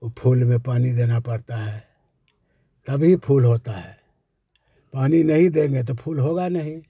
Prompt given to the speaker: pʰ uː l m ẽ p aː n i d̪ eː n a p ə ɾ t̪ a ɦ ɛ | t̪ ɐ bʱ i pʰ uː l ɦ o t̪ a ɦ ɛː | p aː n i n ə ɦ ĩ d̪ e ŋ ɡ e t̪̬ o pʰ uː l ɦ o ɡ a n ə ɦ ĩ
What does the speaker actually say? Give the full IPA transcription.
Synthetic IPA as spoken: pʰ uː l m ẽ p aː n i d̪ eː n a p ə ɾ t̪ a ɦ ɛ | t̪ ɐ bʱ i pʰ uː l ɦ o t̪ a ɦ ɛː | p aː n i n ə ɦ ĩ d̪ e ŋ ɡ e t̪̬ o pʰ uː l ɦ o ɡ a n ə ɦ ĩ

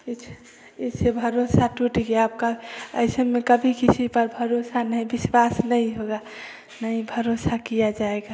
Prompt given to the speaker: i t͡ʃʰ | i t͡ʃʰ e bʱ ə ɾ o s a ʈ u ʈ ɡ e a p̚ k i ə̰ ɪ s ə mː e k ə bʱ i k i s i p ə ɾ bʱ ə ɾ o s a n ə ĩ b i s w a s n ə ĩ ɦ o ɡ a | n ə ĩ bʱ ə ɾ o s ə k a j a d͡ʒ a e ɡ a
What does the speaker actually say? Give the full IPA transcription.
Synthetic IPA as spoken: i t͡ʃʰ | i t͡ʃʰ e bʱ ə ɾ o s a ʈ u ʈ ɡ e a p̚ k a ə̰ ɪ s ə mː e k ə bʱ i k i s i p ə ɾ bʱ ə ɾ o s a n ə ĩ b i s w a s n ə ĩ ɦ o ɡ a | n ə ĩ bʱ ə ɾ o s a k i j a d͡ʒ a e ɡ a

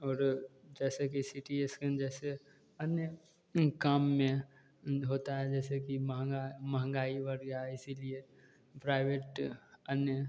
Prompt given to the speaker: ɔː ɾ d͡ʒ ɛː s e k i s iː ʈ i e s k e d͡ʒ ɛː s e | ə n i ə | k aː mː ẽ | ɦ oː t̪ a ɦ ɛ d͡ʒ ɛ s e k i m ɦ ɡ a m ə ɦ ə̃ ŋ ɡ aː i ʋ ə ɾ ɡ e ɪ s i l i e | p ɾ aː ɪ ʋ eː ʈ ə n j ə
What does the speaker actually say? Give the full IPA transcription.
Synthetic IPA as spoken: ɔː ɾ d͡ʒ ɛː s e k i s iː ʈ i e s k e d͡ʒ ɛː s e | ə n j ə | k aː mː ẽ | ɦ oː t̪ a ɦ ɛ d͡ʒ ɛː s e k i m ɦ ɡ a m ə ɦ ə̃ ŋ ɡ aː i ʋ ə ɾ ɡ a ɪ s i l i e | p ɾ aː ɪ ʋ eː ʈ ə n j ə

